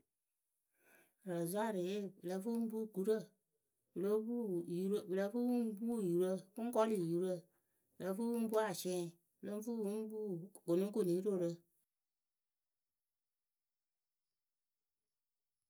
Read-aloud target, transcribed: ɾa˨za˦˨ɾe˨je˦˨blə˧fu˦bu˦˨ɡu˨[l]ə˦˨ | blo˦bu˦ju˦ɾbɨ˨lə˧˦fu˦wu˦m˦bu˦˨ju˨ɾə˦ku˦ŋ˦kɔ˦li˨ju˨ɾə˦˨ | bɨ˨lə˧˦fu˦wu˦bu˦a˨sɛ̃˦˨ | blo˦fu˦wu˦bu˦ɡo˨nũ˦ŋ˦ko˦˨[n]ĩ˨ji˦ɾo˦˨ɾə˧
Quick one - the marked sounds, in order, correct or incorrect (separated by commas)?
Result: incorrect, correct